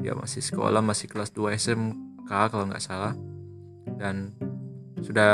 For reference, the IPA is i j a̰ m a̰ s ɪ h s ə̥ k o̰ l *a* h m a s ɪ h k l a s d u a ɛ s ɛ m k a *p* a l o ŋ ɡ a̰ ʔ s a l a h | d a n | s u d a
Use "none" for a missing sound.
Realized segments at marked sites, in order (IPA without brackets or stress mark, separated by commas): a, k